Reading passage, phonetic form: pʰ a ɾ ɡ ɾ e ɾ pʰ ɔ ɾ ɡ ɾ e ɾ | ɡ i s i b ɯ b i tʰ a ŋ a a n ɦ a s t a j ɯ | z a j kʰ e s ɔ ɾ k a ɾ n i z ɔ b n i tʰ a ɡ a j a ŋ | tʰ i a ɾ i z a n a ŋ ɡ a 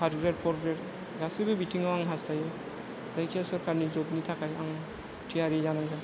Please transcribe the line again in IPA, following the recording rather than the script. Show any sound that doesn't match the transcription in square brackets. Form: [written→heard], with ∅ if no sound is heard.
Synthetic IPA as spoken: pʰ a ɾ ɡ ɾ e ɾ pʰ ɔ ɾ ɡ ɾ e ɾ | ɡ [i→a] s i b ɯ b i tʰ [a→i] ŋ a a [n→ŋ] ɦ a s t a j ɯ | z a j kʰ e s ɔ ɾ k a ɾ n i z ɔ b n i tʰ a [ɡ→k] a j a ŋ | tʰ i a ɾ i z a n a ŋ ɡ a

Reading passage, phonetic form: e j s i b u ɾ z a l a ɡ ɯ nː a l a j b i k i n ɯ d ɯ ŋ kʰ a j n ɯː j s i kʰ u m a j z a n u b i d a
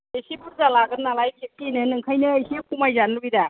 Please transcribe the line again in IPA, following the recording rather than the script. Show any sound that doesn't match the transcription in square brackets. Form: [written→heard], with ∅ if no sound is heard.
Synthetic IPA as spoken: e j s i b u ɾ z a l a ɡ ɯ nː a l a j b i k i n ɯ [d→n] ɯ ŋ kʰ a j n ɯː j s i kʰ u m a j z a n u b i d a

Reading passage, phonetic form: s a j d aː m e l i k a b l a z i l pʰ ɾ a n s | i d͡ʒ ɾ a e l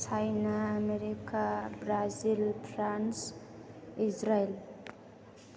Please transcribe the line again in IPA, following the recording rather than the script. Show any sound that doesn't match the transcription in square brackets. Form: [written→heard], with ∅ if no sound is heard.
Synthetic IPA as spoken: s a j [d→n] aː m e [l→ɾ] i k a b [l→ɾ] a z i l pʰ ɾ a n s | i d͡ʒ ɾ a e l

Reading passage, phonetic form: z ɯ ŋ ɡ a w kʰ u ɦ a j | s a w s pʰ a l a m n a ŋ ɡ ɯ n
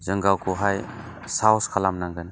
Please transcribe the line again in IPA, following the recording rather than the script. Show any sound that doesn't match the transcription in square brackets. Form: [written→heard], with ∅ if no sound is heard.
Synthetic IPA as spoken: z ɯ ŋ ɡ a w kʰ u ɦ a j | s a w s [pʰ→kʰ] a l a m n a ŋ ɡ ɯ n

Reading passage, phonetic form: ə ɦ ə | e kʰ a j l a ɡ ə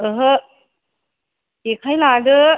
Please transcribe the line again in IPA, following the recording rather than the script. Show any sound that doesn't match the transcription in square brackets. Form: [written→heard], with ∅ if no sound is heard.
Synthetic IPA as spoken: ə ɦ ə | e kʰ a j l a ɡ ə

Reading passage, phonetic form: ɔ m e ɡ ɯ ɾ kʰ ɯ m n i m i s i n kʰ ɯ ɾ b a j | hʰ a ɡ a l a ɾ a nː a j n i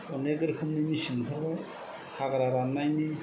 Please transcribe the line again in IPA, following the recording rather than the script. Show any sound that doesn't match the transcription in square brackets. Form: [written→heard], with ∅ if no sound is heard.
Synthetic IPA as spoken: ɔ [m→n] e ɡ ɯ ɾ kʰ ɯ m n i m i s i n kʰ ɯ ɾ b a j | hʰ a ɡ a [l→ɾ] a ɾ a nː a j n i

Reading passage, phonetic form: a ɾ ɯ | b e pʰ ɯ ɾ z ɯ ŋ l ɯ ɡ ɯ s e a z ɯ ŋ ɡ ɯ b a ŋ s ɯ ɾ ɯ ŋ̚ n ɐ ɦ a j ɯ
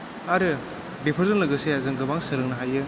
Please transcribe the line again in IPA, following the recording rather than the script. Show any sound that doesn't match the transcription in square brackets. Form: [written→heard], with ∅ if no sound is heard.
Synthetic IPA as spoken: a ɾ ɯ | b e pʰ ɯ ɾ z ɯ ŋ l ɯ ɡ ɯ s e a z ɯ ŋ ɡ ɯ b a ŋ s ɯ ɾ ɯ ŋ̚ n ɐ ɦ a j ɯ

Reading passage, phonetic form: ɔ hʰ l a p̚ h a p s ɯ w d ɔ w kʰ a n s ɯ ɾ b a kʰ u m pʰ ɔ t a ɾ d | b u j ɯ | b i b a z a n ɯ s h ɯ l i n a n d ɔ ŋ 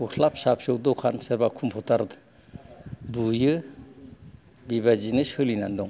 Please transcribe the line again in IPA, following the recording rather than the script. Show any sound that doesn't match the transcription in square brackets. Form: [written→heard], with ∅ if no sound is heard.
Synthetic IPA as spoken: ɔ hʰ l a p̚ [h→s] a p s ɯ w d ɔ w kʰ a n s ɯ ɾ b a kʰ u m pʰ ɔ t a ɾ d | b u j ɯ | b i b a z [a→i] n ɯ s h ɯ l i n a n d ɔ ŋ

